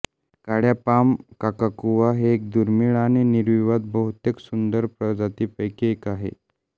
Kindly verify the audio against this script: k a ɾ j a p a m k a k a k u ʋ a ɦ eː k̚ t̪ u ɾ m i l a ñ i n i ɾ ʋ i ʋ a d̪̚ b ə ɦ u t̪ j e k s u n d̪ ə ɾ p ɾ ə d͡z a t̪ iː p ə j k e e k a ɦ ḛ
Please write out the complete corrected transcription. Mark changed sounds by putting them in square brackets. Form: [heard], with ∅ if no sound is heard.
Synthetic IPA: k a [ɽ] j a p a m k a k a k u ʋ a ɦ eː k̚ [d̪] u ɾ m i [ɭ] a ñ i n i ɾ ʋ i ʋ a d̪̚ b ə ɦ u t̪ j e k s u n d̪ ə ɾ p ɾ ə d͡z a t̪ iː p ə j k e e k a ɦ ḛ

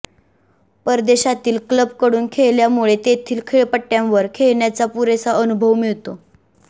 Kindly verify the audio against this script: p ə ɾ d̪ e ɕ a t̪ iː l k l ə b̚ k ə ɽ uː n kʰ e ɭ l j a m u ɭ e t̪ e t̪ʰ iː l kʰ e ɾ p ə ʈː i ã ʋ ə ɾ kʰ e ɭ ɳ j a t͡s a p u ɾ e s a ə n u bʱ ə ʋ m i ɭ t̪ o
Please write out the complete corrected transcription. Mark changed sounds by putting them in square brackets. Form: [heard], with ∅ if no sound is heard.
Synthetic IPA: p ə ɾ d̪ e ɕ a t̪ iː l k l ə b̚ k ə ɽ uː n kʰ e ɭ l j a m u ɭ e t̪ e t̪ʰ iː l kʰ e [ɭ] p ə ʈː [j] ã ʋ ə ɾ kʰ e ɭ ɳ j a t͡s a p u ɾ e s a ə n u bʱ ə ʋ m i ɭ t̪ o

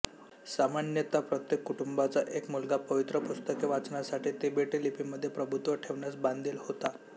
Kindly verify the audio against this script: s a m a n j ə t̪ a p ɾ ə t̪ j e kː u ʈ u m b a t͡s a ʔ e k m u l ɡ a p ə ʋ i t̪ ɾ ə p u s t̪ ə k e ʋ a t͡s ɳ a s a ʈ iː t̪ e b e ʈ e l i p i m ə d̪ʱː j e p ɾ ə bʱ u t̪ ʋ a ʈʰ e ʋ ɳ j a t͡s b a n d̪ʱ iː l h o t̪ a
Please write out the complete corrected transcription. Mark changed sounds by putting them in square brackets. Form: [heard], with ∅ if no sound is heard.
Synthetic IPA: s a m a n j ə t̪ a p ɾ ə t̪ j e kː u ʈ u m b a t͡s a ʔ e k m u l ɡ a p ə ʋ i t̪ ɾ ə p u s t̪ ə k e ʋ a t͡s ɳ a s a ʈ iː t̪ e b e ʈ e l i p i m ə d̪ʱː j e p ɾ ə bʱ u t̪ ʋ [ə] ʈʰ e ʋ ɳ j a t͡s b a n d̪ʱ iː l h o t̪ a

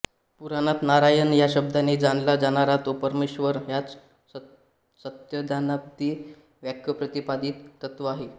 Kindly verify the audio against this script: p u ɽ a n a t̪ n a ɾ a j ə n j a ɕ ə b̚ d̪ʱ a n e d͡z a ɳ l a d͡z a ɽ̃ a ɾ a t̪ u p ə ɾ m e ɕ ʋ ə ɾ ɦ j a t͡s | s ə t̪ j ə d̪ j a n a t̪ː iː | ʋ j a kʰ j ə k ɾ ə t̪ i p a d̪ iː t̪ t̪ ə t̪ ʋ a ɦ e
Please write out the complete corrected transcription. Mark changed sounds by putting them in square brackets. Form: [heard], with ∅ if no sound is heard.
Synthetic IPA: p u [ɾ] a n a t̪ n a ɾ a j ə n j a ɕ ə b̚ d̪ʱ a n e d͡z a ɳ l a d͡z a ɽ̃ a ɾ a t̪ [o] p ə ɾ m e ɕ ʋ ə ɾ ɦ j a t͡s | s ə t̪ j ə d̪ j a n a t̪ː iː | ʋ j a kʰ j ə [p] ɾ ə t̪ i p a d̪ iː t̪ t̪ ə t̪ ʋ a ɦ e

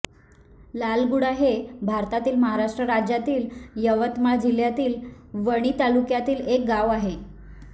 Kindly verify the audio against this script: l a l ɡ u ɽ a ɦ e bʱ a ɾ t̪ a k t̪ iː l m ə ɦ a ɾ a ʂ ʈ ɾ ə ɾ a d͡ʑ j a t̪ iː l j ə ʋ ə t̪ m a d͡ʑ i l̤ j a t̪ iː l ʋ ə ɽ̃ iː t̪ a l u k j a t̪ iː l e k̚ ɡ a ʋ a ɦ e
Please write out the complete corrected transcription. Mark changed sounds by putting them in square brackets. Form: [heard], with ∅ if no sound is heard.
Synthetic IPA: l a l ɡ u ɽ a ɦ e bʱ a ɾ t̪ a [∅] t̪ iː l m ə ɦ a ɾ a ʂ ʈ ɾ ə ɾ a d͡ʑ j a t̪ iː l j ə ʋ ə t̪ m a d͡ʑ i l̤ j a t̪ iː l ʋ ə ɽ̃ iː t̪ a l u k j a t̪ iː l e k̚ ɡ a ʋ a ɦ e

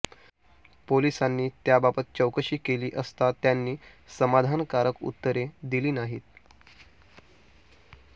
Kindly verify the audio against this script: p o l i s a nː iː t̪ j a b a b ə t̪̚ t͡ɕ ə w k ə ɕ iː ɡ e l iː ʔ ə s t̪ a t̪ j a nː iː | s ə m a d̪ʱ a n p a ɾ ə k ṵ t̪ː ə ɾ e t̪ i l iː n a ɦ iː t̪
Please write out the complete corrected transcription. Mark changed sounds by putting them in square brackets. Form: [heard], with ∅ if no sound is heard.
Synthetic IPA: p o l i s a nː iː t̪ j a b a b ə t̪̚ t͡ɕ ə w k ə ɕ iː [k] e l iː ʔ ə s t̪ a t̪ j a nː iː | s ə m a d̪ʱ a n [k] a ɾ ə k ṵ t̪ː ə ɾ e [d̪] i l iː n a ɦ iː t̪

